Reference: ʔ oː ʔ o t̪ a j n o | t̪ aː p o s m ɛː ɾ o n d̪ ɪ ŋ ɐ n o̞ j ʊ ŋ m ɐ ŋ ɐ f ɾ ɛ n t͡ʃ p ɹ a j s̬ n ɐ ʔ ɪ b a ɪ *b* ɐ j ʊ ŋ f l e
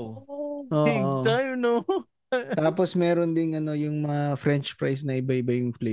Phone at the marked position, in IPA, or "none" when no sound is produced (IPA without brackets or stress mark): b